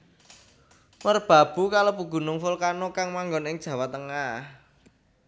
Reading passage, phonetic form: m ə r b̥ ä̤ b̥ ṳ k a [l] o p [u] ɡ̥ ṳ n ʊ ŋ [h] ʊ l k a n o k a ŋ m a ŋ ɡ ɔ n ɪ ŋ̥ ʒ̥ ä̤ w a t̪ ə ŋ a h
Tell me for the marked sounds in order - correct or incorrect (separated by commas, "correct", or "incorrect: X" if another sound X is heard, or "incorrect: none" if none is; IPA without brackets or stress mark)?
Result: correct, correct, incorrect: f